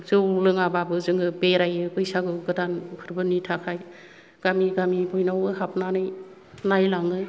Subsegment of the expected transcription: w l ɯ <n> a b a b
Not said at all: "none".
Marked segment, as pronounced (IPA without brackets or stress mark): ŋ